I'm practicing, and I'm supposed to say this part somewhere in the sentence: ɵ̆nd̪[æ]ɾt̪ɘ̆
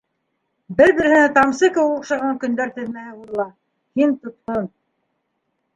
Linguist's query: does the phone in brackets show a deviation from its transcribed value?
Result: no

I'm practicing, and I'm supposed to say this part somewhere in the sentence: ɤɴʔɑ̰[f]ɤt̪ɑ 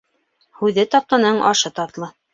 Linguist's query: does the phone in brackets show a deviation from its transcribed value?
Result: yes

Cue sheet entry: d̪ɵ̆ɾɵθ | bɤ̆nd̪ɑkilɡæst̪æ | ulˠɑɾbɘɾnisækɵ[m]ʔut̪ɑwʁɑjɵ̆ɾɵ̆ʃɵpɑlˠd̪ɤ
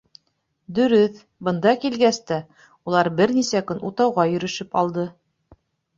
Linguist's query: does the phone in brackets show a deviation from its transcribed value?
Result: yes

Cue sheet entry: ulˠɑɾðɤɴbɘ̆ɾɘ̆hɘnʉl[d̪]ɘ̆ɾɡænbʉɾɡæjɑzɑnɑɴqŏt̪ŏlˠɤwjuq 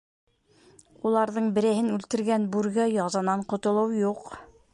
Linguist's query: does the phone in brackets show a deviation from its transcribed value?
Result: yes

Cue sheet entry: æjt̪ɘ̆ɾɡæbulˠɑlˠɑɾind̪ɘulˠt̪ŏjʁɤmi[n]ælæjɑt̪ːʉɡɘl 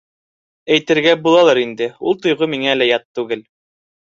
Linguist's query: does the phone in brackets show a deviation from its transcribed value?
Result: yes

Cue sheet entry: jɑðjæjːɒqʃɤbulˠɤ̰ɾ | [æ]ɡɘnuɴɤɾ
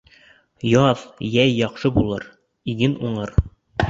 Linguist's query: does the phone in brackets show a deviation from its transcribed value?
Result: yes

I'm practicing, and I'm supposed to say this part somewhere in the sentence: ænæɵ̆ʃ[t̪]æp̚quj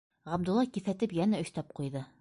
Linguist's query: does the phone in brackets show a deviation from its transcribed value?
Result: no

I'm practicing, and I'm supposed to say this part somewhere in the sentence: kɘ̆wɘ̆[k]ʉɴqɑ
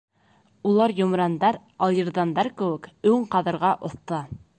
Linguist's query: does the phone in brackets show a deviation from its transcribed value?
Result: no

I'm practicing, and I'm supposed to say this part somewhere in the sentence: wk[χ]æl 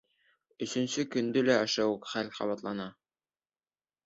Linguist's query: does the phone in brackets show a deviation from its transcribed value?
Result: no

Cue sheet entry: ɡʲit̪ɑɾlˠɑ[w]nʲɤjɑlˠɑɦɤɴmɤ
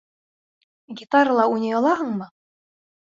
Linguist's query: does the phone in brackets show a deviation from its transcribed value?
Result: yes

